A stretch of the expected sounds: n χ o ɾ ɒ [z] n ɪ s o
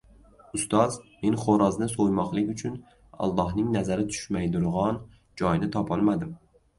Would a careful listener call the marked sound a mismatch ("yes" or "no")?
no